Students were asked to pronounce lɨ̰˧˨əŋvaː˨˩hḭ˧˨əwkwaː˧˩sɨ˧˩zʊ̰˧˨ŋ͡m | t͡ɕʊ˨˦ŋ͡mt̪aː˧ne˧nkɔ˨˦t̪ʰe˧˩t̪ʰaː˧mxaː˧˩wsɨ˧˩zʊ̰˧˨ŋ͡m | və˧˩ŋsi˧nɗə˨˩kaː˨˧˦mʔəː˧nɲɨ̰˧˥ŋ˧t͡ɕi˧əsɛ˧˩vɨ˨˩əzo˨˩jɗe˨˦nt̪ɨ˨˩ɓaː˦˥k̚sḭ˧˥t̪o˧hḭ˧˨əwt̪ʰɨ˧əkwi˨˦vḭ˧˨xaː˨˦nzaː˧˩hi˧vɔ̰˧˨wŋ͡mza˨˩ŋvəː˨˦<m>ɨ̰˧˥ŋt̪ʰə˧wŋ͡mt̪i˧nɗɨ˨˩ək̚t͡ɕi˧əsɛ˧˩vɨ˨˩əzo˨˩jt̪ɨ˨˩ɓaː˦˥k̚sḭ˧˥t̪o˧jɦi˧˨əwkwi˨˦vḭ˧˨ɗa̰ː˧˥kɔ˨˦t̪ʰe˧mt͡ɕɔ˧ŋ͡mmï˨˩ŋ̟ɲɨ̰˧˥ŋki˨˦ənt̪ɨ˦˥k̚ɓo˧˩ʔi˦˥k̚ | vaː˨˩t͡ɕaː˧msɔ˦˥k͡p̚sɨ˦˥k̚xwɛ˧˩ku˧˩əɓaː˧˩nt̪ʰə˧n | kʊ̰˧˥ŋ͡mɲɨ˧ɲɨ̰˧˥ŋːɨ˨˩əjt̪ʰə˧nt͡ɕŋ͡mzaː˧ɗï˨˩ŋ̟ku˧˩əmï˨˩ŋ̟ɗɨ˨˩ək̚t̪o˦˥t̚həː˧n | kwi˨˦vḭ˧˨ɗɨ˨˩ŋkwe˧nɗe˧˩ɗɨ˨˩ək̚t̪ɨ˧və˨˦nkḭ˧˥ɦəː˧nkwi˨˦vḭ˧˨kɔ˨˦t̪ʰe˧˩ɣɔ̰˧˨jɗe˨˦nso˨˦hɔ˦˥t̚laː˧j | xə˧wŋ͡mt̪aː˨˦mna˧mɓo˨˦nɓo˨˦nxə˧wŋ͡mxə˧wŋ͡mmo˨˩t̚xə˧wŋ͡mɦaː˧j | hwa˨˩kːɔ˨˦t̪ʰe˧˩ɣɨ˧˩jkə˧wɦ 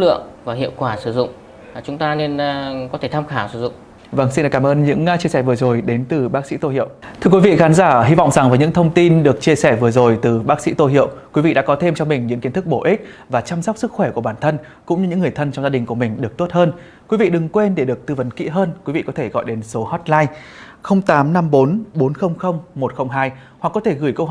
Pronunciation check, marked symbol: incorrect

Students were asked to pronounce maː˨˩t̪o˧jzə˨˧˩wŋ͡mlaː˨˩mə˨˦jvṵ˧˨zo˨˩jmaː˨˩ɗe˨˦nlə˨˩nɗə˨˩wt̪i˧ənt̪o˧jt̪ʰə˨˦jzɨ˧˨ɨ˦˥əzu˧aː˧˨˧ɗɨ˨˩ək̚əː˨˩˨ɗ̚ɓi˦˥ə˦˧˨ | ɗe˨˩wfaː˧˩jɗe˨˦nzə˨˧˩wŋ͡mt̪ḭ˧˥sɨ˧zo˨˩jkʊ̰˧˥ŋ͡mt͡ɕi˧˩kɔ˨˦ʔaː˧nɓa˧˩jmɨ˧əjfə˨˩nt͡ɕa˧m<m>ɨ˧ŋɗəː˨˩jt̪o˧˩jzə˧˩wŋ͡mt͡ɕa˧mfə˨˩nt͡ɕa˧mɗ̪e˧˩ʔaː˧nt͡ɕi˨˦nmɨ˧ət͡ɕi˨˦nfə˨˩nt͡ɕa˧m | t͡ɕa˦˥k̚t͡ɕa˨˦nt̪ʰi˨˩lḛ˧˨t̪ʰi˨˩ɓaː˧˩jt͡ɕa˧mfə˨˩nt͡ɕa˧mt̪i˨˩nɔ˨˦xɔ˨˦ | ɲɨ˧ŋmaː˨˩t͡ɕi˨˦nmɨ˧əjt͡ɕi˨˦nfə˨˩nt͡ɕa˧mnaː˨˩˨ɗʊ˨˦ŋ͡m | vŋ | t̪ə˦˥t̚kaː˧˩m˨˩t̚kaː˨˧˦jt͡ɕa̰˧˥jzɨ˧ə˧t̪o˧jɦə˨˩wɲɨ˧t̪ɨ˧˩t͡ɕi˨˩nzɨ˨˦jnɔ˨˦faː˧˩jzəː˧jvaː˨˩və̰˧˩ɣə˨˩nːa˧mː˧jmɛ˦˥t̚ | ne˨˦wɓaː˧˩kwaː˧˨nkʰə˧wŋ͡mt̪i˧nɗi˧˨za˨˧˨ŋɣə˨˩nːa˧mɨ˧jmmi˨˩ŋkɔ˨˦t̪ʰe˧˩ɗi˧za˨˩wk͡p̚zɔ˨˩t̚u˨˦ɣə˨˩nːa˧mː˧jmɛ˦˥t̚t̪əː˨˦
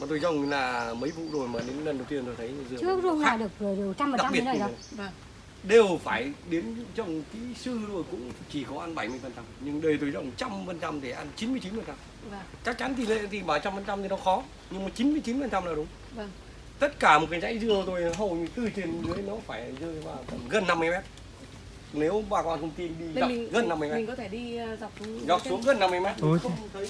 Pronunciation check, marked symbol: incorrect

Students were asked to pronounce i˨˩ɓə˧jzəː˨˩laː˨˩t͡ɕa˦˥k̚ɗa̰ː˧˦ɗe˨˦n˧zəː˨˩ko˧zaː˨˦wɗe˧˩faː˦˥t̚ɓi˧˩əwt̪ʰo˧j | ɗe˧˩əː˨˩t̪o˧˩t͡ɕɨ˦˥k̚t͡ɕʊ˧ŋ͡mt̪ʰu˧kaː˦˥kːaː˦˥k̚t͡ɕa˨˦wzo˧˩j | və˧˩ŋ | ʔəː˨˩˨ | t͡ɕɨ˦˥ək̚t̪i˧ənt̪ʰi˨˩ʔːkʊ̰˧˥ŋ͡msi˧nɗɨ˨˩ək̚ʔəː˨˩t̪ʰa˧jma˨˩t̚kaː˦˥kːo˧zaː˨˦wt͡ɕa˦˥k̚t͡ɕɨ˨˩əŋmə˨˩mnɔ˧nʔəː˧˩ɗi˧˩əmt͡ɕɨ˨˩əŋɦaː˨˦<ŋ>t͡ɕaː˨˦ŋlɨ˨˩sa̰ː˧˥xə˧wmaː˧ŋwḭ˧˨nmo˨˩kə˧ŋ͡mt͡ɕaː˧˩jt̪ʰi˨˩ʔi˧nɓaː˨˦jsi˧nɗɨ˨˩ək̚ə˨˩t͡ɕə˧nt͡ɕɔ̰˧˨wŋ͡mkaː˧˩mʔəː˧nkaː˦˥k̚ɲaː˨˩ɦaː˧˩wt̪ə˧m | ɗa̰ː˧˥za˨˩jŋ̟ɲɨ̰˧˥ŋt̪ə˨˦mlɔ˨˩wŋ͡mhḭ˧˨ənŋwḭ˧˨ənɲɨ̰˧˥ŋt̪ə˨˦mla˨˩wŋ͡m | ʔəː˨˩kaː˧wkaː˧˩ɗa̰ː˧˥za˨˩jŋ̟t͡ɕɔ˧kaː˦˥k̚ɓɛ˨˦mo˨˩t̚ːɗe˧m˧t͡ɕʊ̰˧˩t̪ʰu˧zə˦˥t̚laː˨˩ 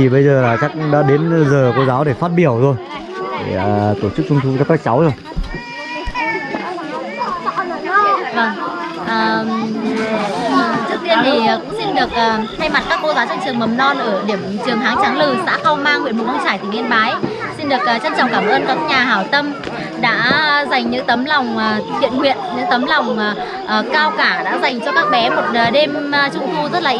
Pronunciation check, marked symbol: correct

